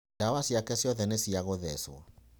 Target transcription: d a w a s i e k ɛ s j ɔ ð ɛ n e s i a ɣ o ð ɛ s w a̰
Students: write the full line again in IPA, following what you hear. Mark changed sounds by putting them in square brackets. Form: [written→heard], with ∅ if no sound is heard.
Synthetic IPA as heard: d a w a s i [e→a] k ɛ s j ɔ ð ɛ n e s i a ɣ o ð ɛ s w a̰